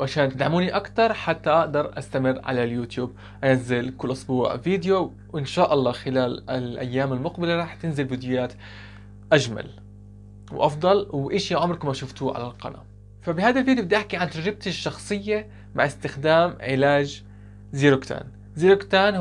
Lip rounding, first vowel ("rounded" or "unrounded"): unrounded